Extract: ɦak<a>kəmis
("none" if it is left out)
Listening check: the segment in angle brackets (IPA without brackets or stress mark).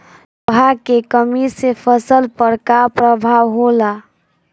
e